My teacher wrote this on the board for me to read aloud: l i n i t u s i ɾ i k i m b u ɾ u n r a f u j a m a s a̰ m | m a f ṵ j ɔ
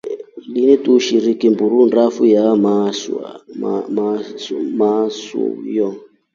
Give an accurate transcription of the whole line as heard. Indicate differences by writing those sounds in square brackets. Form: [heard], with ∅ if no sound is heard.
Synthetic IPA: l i n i t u [ʃ] i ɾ i k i m b u ɾ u n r a f u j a m a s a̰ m | m a [s] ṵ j ɔ